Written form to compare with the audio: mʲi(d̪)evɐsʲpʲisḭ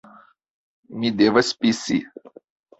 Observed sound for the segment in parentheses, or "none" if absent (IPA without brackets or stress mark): d̪